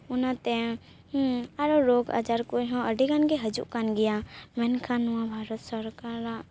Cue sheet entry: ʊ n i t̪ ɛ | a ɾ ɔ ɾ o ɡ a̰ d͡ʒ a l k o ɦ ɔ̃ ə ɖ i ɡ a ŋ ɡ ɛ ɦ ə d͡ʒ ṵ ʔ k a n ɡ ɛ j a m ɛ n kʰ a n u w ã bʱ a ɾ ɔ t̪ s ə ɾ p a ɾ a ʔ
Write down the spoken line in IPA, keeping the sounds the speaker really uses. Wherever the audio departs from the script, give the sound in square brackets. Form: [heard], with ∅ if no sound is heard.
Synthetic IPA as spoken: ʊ n [a] t̪ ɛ | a ɾ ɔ ɾ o ɡ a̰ d͡ʒ a [ɾ] k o ɦ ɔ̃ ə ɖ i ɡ a [n] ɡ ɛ ɦ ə d͡ʒ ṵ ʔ k a n ɡ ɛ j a m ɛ n kʰ a n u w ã bʱ a ɾ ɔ t̪ s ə ɾ [k] a ɾ a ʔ